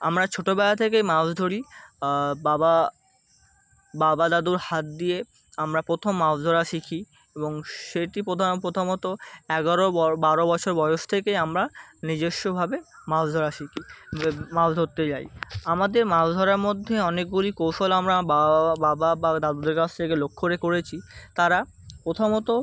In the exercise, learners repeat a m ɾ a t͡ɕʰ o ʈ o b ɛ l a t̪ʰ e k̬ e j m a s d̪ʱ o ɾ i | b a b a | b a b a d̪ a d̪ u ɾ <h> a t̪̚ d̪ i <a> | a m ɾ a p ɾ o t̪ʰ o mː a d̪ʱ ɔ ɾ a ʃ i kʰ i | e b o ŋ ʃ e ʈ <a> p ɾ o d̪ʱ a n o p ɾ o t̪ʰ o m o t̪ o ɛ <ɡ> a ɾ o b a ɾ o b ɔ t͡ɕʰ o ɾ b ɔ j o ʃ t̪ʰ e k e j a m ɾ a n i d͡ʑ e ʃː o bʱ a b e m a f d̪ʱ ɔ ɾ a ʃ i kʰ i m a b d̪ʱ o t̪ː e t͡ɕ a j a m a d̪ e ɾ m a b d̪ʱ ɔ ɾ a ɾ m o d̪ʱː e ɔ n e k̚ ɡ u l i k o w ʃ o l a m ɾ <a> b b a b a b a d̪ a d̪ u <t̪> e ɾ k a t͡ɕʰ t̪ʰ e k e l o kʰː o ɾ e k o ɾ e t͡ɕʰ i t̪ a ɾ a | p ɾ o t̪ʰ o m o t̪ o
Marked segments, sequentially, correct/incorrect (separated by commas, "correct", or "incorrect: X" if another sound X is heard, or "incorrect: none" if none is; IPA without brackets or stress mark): correct, incorrect: e, incorrect: i, correct, correct, incorrect: d̪